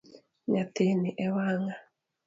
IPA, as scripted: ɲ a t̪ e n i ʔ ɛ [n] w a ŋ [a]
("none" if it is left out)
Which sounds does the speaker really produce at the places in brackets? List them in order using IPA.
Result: none, a

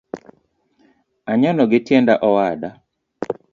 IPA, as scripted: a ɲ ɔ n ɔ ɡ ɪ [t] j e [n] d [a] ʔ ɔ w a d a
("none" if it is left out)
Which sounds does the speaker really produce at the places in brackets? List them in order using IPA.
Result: t, n, a

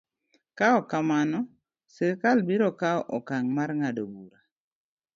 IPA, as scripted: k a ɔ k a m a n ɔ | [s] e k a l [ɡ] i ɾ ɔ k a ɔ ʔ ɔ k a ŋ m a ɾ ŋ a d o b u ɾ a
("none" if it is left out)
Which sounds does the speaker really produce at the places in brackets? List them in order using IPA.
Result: s, b

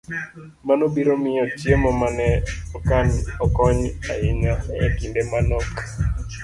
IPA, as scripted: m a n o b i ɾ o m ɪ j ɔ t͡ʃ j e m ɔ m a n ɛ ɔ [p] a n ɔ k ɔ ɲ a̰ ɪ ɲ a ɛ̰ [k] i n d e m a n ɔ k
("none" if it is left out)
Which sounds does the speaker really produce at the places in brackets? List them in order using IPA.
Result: k, k

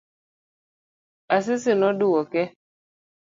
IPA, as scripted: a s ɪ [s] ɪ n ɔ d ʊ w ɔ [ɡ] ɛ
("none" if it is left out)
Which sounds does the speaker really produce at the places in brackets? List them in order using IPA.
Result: s, k

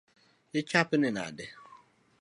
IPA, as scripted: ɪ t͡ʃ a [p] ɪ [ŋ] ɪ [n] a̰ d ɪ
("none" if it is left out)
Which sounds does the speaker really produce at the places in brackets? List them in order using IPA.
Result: p, n, n

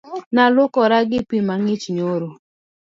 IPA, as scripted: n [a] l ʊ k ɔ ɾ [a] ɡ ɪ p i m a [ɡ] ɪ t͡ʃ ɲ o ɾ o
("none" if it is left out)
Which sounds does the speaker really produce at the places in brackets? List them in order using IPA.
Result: a, a, ŋ

